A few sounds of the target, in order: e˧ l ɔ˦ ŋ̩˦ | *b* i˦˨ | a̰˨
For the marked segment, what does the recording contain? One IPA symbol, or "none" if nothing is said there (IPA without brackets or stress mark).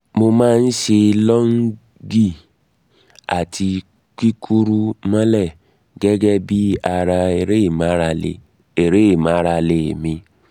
ɡ